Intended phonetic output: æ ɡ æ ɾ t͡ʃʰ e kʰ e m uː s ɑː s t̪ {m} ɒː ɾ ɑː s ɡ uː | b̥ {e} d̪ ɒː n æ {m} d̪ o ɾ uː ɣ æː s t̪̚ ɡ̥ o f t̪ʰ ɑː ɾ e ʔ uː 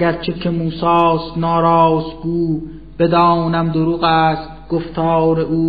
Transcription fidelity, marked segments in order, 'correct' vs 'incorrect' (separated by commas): incorrect, correct, correct